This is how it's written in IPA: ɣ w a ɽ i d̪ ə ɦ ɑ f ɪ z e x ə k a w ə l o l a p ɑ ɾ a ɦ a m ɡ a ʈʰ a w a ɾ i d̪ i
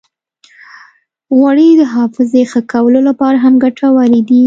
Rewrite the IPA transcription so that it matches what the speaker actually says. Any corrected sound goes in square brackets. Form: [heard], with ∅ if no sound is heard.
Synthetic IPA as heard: ɣ w a ɽ i d̪ ə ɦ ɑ f ɪ z e x ə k a w ə l o l a p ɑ ɾ a ɦ a m ɡ a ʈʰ a w a ɾ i d̪ i